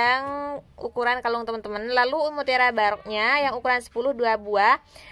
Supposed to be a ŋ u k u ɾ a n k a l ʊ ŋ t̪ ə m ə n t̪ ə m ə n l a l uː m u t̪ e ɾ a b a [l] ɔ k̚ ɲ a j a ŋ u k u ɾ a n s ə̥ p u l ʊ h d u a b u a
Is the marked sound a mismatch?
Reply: yes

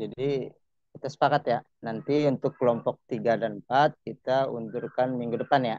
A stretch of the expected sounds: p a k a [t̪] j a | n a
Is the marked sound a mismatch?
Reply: no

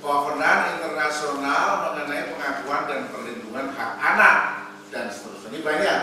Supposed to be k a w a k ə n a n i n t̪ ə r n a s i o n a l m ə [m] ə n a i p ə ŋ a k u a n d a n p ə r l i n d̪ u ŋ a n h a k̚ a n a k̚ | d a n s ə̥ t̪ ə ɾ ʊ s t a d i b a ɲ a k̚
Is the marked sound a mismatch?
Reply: yes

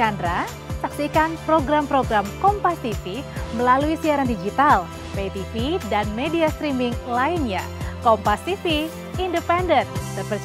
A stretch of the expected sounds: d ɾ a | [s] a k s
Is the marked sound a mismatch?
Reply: no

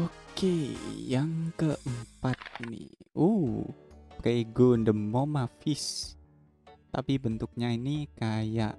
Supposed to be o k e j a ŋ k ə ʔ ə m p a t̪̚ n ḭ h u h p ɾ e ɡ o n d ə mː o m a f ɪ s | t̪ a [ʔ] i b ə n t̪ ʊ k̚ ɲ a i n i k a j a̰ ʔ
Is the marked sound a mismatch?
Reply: yes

